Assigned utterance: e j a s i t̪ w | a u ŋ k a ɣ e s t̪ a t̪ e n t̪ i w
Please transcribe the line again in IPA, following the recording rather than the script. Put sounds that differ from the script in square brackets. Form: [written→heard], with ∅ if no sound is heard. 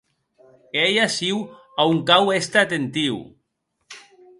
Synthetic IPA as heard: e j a s i [t̪→∅] w | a u ŋ k a [ɣ→w] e s t̪ a t̪ e n t̪ i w